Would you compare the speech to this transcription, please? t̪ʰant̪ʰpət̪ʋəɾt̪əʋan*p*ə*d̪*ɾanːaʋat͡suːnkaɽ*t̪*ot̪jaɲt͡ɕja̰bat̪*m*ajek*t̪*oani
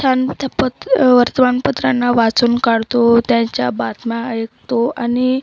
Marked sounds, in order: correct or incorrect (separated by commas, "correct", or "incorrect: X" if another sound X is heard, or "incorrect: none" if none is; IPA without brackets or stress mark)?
correct, incorrect: t̪, correct, correct, correct